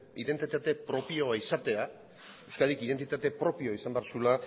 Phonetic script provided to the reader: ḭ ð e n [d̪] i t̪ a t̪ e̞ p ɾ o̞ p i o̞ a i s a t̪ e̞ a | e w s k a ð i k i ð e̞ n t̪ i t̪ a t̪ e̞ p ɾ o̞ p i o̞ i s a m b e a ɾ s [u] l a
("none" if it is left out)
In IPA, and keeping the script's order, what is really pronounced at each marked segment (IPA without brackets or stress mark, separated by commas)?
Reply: t̪, u